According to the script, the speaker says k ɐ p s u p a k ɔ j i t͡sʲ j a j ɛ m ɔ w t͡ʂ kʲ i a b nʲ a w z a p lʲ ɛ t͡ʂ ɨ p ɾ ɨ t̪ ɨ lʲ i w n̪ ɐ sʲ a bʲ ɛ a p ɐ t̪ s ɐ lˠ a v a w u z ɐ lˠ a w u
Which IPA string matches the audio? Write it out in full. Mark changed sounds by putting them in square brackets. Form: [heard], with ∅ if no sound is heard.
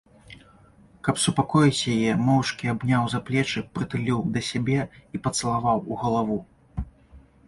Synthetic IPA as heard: k ɐ p s u p a k ɔ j i t͡sʲ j a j ɛ m ɔ w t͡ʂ kʲ i a b nʲ a w z a p lʲ ɛ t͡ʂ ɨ p ɾ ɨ t̪ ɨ lʲ i w [d̪] ɐ sʲ a bʲ ɛ [i] p ɐ t̪ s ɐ lˠ a v a w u [ɣ] ɐ lˠ a [v] u